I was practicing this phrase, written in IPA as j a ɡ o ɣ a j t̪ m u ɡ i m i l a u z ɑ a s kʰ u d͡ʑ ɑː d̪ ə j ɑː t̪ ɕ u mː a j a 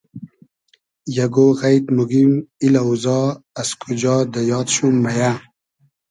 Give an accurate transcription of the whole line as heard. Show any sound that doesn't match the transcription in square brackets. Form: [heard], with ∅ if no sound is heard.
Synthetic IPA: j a ɡ o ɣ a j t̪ m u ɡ i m i l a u z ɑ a s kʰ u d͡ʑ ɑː d̪ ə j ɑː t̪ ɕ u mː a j a